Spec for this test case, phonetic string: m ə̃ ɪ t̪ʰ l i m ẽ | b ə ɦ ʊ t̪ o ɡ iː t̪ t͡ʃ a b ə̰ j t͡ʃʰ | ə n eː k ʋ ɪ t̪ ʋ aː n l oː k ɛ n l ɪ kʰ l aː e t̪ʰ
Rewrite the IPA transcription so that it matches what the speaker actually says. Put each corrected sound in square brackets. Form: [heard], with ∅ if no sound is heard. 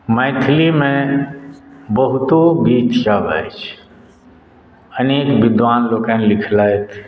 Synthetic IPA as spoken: m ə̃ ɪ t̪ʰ l i m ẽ | b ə ɦ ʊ t̪ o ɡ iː t̪ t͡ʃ a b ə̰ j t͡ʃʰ | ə n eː k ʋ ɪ [d̪] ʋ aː n l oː k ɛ n l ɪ kʰ l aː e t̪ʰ